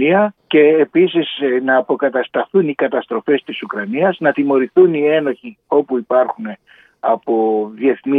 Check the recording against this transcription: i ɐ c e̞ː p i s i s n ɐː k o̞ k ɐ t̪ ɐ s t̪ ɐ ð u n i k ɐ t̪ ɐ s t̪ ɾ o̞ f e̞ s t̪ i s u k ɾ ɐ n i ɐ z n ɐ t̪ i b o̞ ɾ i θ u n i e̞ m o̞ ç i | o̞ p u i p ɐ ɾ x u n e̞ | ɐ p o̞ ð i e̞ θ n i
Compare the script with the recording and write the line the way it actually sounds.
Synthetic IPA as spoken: i ɐ c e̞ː p i s i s n ɐː p o̞ k ɐ t̪ ɐ s t̪ ɐ θ u n i k ɐ t̪ ɐ s t̪ ɾ o̞ f e̞ s t̪ i s u k ɾ ɐ n i ɐ z n ɐ t̪ i m o̞ ɾ i θ u n i e̞ n o̞ ç i | o̞ p u i p ɐ ɾ x u n e̞ | ɐ p o̞ ð i e̞ θ n i